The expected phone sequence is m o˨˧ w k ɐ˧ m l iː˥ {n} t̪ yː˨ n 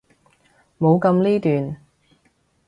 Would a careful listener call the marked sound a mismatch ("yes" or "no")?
yes